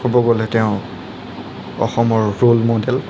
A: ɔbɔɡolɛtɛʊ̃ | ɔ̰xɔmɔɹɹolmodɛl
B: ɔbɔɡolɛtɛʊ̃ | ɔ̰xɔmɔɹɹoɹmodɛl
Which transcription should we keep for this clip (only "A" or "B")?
A